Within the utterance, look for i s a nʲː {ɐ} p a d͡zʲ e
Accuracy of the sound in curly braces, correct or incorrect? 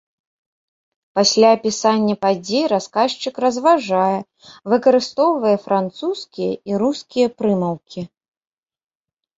correct